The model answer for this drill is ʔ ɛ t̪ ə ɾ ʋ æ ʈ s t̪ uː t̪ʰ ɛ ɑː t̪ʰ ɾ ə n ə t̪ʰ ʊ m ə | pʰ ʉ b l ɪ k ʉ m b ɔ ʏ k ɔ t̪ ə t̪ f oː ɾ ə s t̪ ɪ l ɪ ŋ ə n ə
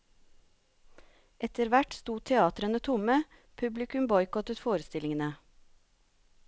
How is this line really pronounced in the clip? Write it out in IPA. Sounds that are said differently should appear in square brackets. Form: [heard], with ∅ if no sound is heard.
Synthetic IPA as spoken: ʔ ɛ t̪ ə ɾ ʋ æ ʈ s t̪ uː t̪ʰ ɛ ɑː [t̪] ɾ ə n ə t̪ʰ ʊ m ə | pʰ ʉ b l ɪ k ʉ m b ɔ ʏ k ɔ t̪ ə t̪ f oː ɾ ə s t̪ ɪ l ɪ ŋ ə n ə